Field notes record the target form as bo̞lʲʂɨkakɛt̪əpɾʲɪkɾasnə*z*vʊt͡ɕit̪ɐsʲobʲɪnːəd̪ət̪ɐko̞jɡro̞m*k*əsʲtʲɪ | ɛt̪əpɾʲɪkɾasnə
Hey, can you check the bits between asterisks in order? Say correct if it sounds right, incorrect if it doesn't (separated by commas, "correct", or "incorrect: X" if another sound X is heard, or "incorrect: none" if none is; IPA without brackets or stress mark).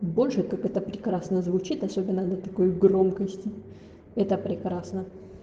correct, correct